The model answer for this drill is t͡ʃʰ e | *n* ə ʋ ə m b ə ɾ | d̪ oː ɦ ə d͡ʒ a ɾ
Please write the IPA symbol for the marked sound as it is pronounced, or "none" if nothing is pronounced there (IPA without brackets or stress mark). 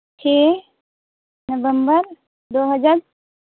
n